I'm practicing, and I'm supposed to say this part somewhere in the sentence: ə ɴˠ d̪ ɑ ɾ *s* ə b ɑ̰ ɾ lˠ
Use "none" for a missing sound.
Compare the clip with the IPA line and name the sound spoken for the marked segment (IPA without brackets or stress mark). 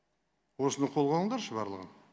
ʃ